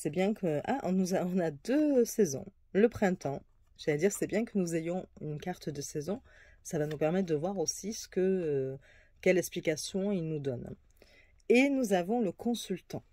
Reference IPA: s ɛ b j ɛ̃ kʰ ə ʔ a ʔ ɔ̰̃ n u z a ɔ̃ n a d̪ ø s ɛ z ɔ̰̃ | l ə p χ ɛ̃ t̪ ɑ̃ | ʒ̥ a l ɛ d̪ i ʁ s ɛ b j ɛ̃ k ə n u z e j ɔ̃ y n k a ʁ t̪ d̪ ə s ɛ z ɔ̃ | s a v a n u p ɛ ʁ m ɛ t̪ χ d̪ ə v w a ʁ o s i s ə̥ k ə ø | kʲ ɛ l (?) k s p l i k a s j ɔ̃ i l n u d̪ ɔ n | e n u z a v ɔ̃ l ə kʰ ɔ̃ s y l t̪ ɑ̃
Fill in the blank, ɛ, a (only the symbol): ɛ